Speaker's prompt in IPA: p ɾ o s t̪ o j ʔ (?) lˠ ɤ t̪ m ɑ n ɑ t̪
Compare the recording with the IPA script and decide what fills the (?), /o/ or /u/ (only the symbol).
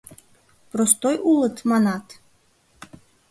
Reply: u